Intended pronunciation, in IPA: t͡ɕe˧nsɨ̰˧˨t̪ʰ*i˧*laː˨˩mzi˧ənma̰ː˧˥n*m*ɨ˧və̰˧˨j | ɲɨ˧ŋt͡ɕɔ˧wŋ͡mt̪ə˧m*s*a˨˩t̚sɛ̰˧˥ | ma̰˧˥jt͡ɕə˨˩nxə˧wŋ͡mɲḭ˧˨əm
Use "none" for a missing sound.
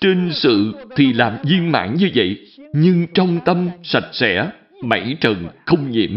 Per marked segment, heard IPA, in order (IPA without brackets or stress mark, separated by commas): i˨˩, ɲ, s